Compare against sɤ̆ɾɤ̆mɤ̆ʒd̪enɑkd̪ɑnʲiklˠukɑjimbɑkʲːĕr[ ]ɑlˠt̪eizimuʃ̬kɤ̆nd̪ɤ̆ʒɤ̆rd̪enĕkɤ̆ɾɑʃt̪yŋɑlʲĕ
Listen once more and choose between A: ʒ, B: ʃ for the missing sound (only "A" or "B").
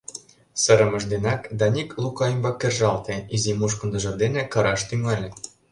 A